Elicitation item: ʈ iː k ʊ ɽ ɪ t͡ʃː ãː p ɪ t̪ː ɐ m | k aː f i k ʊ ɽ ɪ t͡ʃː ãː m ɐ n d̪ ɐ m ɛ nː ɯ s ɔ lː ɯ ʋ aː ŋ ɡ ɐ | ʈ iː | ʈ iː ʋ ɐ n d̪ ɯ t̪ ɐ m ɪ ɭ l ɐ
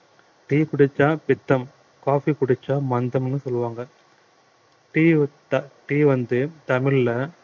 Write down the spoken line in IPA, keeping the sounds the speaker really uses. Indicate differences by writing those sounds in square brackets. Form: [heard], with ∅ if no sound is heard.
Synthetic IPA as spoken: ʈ iː k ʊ ɽ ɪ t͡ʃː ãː p ɪ t̪ː ɐ m | k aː f i k ʊ ɽ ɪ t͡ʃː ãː m ɐ n d̪ ɐ m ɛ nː ɯ s ɔ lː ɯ ʋ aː ŋ ɡ ɐ | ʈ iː | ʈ iː ʋ ɐ n d̪ ɯ t̪ ɐ m ɪ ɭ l ɐ